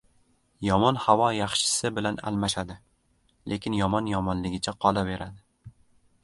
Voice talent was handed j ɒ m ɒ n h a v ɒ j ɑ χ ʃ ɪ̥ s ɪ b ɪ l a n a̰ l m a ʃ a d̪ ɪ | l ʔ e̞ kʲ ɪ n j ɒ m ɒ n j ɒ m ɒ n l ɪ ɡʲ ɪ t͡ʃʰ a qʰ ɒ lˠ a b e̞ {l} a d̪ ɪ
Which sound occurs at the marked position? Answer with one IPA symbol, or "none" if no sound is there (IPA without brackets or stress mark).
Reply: ɾ